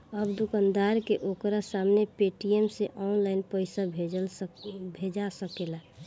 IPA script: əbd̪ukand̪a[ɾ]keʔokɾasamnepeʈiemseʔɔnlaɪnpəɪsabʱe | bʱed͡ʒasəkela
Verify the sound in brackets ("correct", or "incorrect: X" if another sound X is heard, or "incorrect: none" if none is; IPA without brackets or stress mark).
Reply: correct